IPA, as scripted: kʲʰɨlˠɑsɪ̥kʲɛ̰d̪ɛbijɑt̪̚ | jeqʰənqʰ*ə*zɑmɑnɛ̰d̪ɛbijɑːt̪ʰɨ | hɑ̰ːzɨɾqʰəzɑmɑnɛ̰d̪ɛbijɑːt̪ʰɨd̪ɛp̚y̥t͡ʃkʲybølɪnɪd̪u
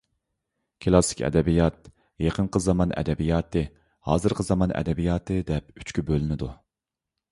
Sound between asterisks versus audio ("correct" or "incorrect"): correct